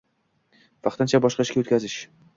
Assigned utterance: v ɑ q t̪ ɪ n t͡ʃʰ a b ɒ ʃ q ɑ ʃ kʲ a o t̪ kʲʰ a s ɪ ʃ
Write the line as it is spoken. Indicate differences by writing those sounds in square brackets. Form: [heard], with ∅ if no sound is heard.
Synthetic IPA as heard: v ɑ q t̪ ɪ n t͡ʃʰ a b ɒ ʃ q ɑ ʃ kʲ a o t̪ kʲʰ a [z] ɪ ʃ